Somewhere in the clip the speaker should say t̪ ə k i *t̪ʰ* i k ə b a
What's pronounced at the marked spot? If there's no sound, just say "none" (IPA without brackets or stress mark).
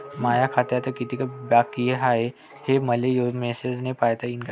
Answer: t̪